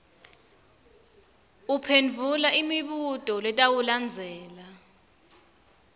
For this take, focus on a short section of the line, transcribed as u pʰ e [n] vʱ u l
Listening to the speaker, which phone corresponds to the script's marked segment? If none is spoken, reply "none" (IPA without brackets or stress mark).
n